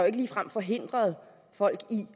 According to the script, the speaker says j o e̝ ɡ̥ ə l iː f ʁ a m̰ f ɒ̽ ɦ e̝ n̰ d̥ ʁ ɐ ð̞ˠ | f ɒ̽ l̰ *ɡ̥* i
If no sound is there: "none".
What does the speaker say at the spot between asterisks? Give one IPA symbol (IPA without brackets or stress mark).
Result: ɡ̥